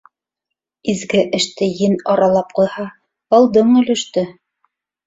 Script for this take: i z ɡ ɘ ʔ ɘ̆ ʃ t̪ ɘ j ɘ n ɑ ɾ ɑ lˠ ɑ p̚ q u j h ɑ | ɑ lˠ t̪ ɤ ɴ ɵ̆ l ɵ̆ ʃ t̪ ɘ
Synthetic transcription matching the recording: i z ɡ ɘ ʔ ɘ̆ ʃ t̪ ɘ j ɘ n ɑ ɾ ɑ lˠ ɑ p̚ q u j h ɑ | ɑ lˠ d̪ ɤ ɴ ɵ̆ l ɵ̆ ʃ t̪ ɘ